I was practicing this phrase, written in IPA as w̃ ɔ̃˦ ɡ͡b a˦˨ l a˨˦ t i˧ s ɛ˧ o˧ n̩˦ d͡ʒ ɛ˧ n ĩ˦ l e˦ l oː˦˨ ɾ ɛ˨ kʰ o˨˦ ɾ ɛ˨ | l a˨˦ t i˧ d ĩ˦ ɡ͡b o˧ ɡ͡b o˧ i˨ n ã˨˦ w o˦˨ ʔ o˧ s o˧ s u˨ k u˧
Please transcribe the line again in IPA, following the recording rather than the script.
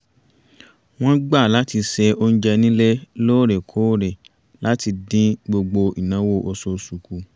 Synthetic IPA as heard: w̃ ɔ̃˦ ɡ͡b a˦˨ l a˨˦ t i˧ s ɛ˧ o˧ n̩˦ d͡ʒ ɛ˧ n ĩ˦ l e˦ l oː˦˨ ɾ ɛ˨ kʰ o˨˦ ɾ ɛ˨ | l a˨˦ t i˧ d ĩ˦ ɡ͡b o˧ ɡ͡b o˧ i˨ n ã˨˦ w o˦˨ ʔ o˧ s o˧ s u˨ k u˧